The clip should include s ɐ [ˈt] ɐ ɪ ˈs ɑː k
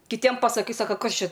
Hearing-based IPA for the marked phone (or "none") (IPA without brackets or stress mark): k